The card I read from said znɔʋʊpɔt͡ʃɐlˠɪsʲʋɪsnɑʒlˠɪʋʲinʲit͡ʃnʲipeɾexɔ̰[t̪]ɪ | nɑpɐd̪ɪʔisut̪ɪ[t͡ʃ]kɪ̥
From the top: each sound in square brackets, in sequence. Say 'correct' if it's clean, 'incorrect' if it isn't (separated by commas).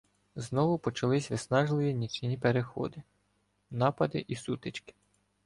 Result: incorrect, correct